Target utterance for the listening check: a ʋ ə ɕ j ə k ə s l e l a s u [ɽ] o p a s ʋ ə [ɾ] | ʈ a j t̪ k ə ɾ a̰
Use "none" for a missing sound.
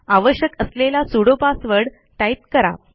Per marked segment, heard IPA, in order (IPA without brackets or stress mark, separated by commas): ɽ, ɽ